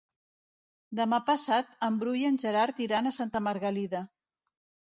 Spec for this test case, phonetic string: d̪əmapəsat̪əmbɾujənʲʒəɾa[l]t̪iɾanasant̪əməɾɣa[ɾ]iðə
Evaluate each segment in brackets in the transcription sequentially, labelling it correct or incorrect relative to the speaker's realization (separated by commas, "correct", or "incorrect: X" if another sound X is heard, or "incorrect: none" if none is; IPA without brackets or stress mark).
incorrect: ɾ, incorrect: l